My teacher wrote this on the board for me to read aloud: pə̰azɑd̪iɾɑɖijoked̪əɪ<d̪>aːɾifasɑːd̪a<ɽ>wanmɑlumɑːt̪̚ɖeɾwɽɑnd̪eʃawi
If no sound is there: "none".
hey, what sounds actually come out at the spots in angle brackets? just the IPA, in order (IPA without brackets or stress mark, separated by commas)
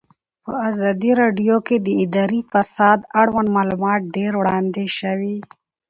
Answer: d̪, ɽ